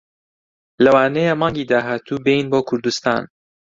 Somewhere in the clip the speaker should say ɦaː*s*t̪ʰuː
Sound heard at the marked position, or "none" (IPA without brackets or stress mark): none